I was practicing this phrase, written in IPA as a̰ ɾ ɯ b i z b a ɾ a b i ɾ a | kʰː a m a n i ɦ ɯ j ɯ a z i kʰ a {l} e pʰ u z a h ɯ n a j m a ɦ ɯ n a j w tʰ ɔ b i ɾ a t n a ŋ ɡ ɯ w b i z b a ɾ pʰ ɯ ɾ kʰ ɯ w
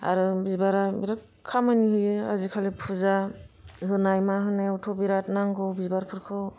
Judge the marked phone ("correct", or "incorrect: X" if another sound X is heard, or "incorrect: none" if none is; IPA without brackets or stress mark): correct